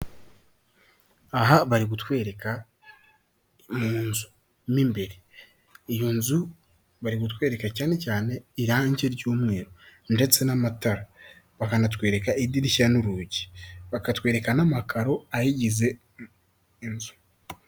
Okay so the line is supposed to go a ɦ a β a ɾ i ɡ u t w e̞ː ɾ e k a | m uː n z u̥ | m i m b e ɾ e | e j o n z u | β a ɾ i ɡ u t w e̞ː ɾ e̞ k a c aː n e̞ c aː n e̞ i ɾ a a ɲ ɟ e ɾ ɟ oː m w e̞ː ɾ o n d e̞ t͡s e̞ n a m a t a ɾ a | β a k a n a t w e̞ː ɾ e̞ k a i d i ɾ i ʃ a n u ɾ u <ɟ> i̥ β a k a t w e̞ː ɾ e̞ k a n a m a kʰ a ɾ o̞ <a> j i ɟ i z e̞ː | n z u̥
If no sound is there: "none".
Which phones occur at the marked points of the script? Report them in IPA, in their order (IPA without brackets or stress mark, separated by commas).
ɟ, a